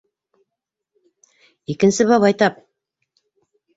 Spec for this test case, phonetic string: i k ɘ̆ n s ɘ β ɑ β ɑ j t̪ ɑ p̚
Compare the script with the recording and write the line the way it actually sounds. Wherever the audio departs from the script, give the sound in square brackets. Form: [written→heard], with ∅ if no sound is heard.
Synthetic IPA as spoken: i k ɘ̆ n s ɘ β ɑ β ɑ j t̪ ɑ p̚

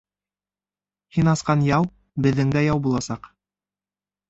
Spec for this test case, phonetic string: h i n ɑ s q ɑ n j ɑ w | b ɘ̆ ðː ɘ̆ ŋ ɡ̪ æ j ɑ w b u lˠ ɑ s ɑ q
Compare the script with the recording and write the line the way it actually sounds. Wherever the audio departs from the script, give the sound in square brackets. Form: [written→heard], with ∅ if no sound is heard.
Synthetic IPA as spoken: h i n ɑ s q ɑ n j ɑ w | b ɘ̆ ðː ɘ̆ ŋ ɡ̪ æ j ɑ w b u lˠ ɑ s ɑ q

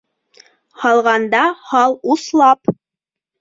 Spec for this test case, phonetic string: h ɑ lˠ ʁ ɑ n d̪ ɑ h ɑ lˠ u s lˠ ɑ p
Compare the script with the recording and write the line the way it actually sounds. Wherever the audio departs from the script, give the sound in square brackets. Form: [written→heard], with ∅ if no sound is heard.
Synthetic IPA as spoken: h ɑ lˠ ʁ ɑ n d̪ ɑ h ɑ lˠ u s lˠ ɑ p

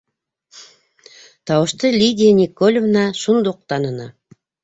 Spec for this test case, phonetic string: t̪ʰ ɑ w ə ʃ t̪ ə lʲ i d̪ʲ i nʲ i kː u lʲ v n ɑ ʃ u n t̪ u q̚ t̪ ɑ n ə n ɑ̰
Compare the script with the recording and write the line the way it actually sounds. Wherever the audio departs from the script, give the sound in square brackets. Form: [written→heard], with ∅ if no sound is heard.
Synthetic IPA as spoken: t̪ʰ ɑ w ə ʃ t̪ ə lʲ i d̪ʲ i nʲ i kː [u→o] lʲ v n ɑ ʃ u n [t̪→d̪] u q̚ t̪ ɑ n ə n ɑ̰

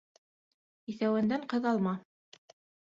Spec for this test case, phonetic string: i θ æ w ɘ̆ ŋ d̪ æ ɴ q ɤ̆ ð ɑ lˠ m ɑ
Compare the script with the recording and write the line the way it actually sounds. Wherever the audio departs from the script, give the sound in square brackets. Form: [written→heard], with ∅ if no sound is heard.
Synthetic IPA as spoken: i θ æ w ɘ̆ [ŋ→n] d̪ æ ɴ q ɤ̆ ð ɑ lˠ m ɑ

